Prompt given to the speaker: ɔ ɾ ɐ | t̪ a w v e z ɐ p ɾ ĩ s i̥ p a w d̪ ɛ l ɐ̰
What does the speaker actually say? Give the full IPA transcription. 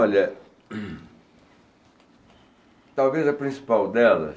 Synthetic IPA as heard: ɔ ʎ ɐ | t̪ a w v e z ɐ p ɾ ĩ s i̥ p a w d̪ ɛ l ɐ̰